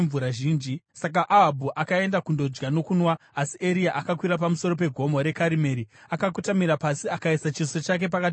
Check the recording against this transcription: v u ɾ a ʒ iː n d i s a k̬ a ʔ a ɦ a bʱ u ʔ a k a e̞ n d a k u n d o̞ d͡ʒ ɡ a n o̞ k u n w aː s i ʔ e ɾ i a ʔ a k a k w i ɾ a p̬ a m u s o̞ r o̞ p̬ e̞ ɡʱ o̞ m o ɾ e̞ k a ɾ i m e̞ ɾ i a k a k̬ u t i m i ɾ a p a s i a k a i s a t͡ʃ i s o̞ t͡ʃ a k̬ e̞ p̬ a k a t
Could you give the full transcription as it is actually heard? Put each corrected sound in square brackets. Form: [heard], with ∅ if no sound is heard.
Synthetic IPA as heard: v u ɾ a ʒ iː n [d͡ʒ] i s a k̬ a ʔ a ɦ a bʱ u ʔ a k a e̞ n d a k u n d o̞ d͡ʒ ɡ a n o̞ k u n w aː s i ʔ e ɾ i a ʔ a k a k w i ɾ a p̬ a m u s o̞ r o̞ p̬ e̞ ɡʱ o̞ m o ɾ e̞ k a ɾ i m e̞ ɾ i a k a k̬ u t [a] m i ɾ a p a s i a k a i s a t͡ʃ i s o̞ t͡ʃ a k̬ e̞ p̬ a k a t